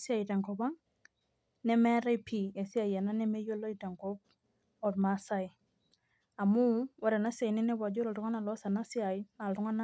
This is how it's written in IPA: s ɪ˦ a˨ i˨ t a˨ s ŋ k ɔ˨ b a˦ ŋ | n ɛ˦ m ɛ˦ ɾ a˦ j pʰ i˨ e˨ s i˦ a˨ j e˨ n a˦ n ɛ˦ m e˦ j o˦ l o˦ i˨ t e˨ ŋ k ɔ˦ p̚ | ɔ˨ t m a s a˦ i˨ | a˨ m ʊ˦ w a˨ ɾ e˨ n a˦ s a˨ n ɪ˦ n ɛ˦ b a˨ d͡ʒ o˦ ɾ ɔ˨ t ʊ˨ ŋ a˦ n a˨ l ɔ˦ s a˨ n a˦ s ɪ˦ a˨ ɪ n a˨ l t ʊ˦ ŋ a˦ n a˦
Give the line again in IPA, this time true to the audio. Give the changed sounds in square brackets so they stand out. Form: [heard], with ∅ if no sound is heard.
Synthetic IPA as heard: s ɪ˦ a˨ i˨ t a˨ [∅] ŋ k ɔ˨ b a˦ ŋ | n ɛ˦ m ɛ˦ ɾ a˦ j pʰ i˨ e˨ s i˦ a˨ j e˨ n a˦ n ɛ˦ m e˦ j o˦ l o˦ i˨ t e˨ ŋ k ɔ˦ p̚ | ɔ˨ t m a s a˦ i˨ | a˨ m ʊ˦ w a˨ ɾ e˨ n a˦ s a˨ n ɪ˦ n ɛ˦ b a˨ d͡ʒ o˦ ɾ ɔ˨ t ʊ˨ ŋ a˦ n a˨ l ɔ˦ s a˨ n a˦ s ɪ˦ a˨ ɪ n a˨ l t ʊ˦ ŋ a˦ n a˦